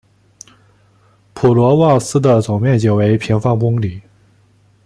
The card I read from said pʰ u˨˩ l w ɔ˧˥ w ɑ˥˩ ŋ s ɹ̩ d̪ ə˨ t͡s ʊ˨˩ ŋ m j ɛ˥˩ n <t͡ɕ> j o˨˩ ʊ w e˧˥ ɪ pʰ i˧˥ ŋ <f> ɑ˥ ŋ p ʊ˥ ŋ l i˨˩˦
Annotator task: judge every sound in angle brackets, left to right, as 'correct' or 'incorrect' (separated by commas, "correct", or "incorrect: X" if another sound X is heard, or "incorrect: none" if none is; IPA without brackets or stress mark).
correct, correct